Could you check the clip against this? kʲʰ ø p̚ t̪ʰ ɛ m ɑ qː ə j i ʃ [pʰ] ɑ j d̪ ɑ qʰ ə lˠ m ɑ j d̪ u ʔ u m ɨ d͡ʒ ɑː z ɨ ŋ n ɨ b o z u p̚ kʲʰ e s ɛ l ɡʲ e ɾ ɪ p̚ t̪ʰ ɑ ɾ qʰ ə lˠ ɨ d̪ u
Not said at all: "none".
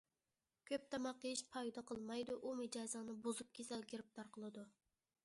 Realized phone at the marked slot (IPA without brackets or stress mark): pʰ